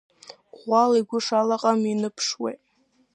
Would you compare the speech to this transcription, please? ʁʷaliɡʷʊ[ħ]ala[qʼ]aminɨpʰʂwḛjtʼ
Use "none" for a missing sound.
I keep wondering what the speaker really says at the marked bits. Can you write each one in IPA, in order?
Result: ʂ, qʼ

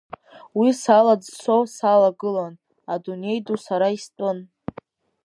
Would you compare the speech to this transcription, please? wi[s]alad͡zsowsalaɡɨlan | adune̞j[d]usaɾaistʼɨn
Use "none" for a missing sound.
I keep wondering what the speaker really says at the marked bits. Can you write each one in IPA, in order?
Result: s, d

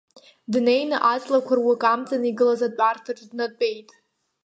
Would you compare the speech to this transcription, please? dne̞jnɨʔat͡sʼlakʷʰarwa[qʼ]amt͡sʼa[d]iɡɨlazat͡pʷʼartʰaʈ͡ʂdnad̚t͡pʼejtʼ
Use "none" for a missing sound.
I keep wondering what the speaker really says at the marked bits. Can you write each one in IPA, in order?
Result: kʼ, n

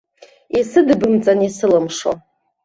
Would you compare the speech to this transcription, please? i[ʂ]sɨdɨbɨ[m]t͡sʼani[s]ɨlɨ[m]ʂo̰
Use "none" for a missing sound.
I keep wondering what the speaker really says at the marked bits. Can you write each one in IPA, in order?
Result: none, m, s, m

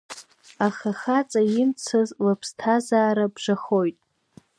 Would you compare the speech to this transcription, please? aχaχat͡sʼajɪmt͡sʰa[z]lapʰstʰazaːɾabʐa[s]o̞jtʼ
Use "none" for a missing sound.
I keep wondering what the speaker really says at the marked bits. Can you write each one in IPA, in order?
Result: z, χ

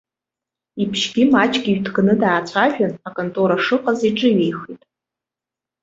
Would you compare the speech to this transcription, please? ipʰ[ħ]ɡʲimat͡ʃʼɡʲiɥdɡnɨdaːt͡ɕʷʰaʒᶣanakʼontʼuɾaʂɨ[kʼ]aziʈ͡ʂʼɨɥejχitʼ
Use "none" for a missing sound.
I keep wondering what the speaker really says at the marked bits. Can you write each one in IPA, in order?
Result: ʃ, qʼ

